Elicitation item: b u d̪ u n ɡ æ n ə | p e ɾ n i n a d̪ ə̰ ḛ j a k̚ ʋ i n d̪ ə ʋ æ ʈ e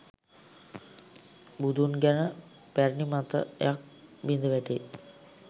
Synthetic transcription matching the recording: b u d̪ u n ɡ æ n ə | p æ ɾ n i m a t̪ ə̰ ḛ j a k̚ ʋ i n d̪ ə ʋ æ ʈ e